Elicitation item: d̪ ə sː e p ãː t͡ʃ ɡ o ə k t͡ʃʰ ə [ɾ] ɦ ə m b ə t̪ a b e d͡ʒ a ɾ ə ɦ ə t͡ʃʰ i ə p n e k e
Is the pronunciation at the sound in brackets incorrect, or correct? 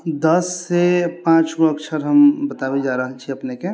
correct